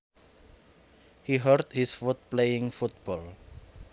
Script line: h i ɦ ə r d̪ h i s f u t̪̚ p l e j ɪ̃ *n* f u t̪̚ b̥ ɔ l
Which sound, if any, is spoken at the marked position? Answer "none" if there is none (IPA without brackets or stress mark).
ŋ